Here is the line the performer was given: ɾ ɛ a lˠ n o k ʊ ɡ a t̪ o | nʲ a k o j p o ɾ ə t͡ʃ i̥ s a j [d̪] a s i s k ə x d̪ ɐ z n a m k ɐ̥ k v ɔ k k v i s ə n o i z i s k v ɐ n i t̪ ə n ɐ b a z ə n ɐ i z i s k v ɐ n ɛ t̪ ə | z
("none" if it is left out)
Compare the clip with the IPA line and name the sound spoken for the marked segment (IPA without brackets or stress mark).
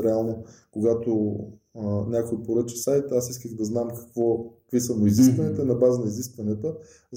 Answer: t̪